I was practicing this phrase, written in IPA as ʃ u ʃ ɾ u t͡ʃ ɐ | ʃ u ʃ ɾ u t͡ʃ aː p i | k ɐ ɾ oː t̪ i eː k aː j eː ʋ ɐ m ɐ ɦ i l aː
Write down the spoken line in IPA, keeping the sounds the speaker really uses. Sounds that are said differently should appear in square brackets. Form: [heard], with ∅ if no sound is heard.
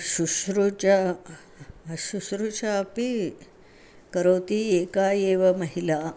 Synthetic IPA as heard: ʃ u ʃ ɾ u t͡ʃ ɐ | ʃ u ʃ ɾ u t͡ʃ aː p i | k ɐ ɾ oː t̪ i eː k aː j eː ʋ ɐ m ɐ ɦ i l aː